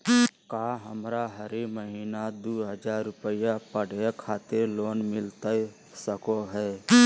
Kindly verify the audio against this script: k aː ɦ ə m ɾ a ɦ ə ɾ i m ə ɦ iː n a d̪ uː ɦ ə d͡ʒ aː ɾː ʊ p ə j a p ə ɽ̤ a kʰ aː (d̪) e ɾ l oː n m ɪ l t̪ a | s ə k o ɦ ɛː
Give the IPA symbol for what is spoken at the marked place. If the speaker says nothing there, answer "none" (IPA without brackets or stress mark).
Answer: t̪